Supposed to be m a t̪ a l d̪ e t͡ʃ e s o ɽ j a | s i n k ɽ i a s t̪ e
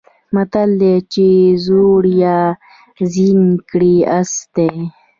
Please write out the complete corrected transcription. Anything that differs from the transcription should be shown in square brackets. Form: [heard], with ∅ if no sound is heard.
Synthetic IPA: m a t̪ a l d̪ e t͡ʃ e [z] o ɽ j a | [z] i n k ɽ i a s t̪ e